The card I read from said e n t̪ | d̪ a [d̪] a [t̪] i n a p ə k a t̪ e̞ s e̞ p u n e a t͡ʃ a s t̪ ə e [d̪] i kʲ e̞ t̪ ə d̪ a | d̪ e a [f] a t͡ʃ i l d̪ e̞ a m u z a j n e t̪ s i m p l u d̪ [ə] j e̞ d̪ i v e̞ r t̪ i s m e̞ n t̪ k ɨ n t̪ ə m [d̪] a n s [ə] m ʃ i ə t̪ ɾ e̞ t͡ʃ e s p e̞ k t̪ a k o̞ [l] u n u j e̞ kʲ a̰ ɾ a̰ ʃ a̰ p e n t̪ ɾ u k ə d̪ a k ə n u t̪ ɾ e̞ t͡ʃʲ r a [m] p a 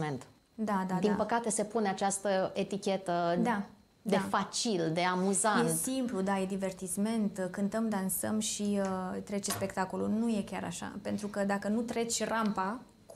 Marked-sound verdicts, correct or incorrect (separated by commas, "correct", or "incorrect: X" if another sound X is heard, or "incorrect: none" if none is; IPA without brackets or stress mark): correct, incorrect: d̪, incorrect: t̪, correct, incorrect: a, correct, correct, correct, correct